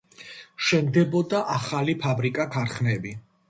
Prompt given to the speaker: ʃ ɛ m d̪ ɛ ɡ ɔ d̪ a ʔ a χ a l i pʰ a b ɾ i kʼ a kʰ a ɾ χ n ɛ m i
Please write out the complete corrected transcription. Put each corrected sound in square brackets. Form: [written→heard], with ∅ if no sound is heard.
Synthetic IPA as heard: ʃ ɛ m d̪ ɛ [ɡ→b] ɔ d̪ a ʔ a χ a l i pʰ a b ɾ i kʼ a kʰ a ɾ χ n ɛ [m→b] i